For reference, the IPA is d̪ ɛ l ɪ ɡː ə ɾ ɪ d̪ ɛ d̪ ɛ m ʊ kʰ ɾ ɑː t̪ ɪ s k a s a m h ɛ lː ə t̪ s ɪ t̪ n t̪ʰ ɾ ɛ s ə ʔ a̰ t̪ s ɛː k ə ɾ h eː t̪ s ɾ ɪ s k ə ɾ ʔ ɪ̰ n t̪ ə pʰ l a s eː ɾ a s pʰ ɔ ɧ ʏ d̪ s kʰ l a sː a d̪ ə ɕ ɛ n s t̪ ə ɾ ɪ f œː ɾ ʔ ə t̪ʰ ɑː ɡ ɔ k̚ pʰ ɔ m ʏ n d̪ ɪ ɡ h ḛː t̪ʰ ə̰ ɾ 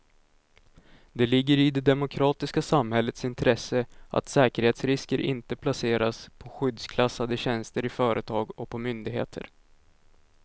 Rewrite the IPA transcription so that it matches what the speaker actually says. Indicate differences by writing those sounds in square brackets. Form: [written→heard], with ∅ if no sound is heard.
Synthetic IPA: d̪ ɛ l ɪ ɡː ə ɾ ɪ d̪ ɛ d̪ ɛ m ʊ kʰ ɾ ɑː t̪ ɪ s k a s a m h ɛ lː ə t̪ s ɪ [t̪→∅] n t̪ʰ ɾ ɛ s ə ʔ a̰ t̪ s ɛː k ə ɾ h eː t̪ s ɾ ɪ s k ə ɾ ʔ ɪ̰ n t̪ ə pʰ l a s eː ɾ a s pʰ ɔ ɧ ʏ d̪ s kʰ l a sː a d̪ ə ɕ ɛ n s t̪ ə ɾ ɪ f œː ɾ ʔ ə t̪ʰ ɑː ɡ ɔ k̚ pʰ ɔ m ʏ n d̪ ɪ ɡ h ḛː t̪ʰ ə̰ ɾ